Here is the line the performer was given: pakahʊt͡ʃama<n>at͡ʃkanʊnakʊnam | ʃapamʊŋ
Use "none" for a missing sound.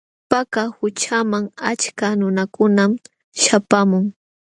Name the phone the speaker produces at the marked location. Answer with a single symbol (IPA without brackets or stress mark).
ŋ